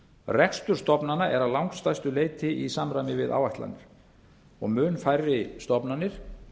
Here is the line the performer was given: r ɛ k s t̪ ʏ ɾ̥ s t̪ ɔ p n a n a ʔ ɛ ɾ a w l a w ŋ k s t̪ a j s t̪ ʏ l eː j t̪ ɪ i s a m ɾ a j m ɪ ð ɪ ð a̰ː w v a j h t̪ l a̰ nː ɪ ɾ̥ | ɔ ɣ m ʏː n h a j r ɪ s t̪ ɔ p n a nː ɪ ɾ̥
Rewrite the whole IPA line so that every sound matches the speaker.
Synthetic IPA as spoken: r ɛ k s t̪ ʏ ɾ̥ s t̪ ɔ p n a n a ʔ ɛ ɾ a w l a w ŋ k s t̪ a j s t̪ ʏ l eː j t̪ ɪ i s a m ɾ a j m ɪ v ɪ ð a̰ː w v a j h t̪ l a̰ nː ɪ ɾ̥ | ɔ ɣ m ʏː n f a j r ɪ s t̪ ɔ p n a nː ɪ ɾ̥